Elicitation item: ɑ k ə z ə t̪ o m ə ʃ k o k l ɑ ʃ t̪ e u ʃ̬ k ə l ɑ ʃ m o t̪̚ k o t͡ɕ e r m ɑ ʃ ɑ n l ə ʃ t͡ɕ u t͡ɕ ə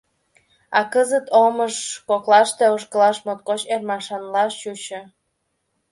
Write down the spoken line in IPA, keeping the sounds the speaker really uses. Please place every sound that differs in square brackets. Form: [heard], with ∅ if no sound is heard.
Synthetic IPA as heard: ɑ k ə z ə t̪ o m ə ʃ k o k l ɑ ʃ t̪ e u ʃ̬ k ə l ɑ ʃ m o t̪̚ k o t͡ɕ e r m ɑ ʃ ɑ n l [ɑ] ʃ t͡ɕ u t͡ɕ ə